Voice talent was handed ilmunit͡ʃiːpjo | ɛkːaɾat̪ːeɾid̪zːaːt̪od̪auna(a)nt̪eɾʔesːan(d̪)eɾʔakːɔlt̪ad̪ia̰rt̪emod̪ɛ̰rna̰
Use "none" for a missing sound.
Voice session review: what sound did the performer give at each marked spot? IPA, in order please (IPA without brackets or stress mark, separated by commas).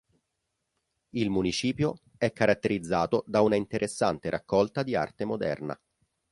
i, t̪